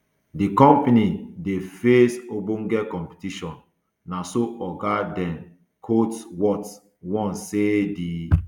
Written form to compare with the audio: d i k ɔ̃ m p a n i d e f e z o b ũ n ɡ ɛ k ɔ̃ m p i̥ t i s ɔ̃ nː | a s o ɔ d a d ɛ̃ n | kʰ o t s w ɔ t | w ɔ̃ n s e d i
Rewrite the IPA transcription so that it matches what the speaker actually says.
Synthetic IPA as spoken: d i k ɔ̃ m p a n i d e f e s o b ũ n ɡ ɛ k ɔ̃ m p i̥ t i ʃ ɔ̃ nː | a s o ɔ ɡ a d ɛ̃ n | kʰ o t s w ɔ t | w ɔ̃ n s e d i